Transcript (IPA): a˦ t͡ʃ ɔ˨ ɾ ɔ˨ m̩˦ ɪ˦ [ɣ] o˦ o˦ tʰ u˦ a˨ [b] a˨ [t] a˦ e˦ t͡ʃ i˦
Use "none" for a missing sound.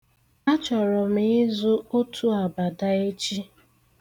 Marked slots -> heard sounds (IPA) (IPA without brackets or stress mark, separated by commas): z, b, d